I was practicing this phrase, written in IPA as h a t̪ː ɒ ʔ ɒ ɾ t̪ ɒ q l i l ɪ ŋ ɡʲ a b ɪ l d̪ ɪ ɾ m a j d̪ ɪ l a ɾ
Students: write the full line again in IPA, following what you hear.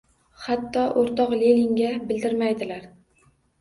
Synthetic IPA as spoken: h a t̪ː ɒ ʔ o ɾ t̪ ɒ q l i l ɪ ŋ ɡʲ a b ɪ l d̪ ɪ ɾ m a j d̪ ɪ l a ɾ